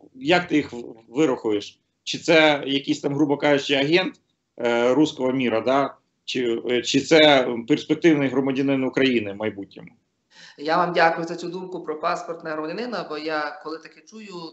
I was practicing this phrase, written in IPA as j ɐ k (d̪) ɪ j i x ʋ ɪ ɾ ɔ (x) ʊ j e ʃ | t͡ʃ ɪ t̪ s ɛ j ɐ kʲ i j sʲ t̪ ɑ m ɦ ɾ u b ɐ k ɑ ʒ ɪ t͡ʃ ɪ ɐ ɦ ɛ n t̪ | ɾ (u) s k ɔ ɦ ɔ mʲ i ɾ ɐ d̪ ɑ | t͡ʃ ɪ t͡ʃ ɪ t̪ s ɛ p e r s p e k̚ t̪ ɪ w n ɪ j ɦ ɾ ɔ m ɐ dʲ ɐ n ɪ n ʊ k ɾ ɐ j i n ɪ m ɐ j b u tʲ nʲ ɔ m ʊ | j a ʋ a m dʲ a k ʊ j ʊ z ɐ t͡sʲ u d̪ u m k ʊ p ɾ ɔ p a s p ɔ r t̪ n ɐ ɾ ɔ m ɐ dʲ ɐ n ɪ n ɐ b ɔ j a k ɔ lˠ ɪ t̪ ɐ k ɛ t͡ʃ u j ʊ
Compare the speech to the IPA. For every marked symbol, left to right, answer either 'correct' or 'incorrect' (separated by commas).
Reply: incorrect, correct, correct